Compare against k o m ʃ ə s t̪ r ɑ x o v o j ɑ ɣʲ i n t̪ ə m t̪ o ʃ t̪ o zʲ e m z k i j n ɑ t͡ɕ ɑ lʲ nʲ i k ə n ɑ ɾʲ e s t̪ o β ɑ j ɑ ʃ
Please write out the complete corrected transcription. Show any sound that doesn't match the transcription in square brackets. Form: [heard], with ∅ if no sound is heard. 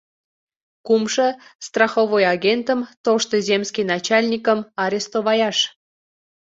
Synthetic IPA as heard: k [u] m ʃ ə s t̪ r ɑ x o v o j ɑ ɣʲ [e] n t̪ ə m t̪ o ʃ t̪ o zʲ e m [s] k i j n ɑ t͡ɕ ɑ lʲ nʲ i k ə [m] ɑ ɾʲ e s t̪ o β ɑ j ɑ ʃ